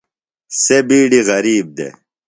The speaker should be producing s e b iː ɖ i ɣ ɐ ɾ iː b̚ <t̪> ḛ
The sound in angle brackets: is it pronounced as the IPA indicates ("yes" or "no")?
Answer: no